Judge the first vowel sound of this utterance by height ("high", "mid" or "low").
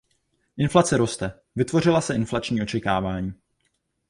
high